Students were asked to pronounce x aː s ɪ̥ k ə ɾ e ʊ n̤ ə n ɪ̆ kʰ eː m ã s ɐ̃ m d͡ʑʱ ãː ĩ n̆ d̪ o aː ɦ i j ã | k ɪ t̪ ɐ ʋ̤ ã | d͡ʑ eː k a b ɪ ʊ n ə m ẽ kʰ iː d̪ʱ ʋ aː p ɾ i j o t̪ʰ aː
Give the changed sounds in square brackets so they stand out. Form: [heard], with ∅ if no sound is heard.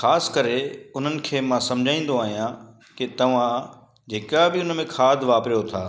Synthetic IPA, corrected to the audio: x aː s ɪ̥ k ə ɾ e ʊ n̤ ə n ɪ̆ kʰ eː m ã s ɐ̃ m d͡ʑʱ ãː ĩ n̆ d̪ o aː ɦ i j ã | k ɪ t̪ ɐ ʋ̤ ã | d͡ʑ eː k a b ɪ ʊ n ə m ẽ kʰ [aː] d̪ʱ ʋ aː p ɾ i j o t̪ʰ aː